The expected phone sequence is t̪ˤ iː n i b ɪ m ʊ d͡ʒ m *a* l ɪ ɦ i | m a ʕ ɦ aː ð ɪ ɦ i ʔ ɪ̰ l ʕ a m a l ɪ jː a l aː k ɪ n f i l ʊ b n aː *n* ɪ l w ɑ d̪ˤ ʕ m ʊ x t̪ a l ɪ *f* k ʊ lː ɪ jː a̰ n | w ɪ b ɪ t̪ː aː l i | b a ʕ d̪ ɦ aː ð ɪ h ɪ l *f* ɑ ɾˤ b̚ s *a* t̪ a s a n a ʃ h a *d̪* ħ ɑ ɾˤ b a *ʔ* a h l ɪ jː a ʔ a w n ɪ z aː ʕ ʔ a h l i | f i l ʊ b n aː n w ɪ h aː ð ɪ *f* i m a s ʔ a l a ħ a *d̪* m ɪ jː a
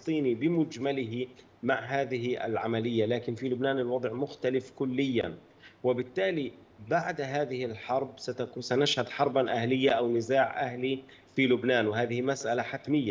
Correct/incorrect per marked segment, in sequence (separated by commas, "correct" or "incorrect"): correct, correct, correct, incorrect, correct, correct, correct, incorrect, incorrect